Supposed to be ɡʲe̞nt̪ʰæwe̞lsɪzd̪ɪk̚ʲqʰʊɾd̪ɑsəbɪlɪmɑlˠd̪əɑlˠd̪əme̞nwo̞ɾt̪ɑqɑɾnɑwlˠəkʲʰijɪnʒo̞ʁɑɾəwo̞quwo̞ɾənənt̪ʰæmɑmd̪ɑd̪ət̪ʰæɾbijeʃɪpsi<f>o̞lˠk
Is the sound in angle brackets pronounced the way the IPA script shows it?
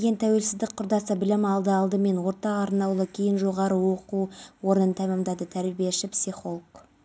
no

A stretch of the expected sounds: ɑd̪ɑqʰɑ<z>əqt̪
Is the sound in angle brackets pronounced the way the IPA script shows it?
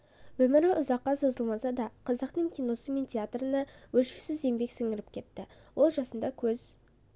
yes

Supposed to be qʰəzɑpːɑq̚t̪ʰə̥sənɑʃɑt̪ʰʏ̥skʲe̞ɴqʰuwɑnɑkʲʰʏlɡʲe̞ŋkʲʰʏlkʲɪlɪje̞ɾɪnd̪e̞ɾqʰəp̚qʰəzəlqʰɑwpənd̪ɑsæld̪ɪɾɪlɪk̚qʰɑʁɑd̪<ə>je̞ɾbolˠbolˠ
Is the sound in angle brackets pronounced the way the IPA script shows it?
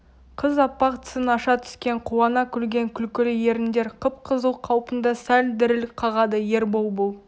yes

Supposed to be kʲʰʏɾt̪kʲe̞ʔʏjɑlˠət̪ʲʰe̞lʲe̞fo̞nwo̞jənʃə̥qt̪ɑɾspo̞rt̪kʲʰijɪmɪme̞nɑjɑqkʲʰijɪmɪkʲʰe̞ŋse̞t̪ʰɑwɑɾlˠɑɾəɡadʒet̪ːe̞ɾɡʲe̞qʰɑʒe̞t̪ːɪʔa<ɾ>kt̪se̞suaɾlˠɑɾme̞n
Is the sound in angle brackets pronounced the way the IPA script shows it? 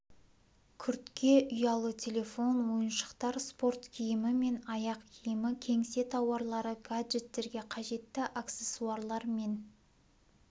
no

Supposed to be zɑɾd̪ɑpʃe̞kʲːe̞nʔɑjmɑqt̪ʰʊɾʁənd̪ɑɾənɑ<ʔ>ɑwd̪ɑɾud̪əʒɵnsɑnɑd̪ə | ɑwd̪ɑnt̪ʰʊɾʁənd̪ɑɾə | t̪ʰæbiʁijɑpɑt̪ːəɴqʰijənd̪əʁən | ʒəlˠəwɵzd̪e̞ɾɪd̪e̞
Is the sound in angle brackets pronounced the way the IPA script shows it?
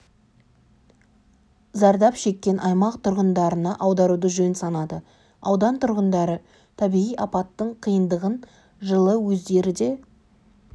yes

